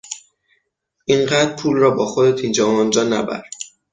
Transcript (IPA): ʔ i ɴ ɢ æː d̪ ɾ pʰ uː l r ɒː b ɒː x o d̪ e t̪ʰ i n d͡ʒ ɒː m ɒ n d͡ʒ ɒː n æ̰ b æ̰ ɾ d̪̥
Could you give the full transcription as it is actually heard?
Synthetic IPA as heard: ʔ i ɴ ɢ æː d̪ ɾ pʰ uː l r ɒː b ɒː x o d̪ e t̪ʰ i n d͡ʒ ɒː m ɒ n d͡ʒ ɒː n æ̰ b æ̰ ɾ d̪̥